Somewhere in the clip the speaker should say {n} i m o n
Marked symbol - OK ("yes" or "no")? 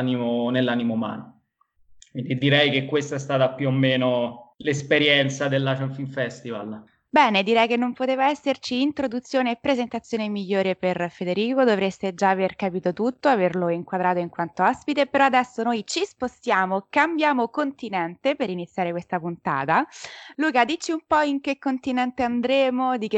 yes